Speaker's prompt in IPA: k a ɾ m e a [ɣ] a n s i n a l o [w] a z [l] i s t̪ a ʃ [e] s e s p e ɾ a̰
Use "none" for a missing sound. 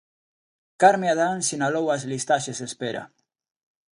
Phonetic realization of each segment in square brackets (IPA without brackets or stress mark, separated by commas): ð, w, l, e